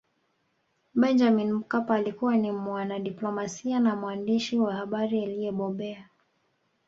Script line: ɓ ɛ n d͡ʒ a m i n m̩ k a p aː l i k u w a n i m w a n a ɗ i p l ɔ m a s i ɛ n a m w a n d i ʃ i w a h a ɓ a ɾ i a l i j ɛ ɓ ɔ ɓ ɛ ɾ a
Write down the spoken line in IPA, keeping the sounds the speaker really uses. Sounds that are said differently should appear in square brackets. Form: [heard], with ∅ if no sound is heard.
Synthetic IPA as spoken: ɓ ɛ n d͡ʒ a m i n m̩ k a p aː l i k u w a n i m w a n a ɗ i p l ɔ m a s i [a] n a m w a n d i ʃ i w a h a ɓ a ɾ i a l i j ɛ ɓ ɔ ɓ ɛ [∅] a